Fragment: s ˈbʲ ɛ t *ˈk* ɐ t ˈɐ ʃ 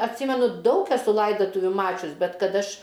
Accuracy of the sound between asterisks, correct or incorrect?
correct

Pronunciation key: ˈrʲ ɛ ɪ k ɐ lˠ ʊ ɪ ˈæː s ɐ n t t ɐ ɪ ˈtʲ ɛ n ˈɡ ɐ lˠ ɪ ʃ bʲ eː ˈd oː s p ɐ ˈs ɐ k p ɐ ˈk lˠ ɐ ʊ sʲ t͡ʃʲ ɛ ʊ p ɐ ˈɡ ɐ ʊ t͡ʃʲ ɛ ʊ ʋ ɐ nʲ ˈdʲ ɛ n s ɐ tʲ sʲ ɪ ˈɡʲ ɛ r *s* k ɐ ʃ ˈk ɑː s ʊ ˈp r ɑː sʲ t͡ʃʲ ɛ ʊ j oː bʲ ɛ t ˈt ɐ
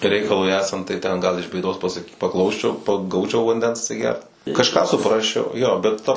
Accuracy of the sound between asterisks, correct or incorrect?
incorrect: t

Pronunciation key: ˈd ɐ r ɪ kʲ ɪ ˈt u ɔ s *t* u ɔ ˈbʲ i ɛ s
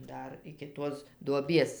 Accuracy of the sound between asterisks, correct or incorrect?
incorrect: d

